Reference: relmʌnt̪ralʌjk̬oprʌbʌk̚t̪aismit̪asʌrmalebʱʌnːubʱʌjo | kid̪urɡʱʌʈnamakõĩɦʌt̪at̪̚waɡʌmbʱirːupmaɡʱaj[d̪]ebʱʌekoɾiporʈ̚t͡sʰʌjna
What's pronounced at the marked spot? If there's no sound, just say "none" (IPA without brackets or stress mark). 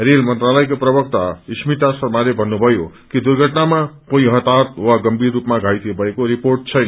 t̪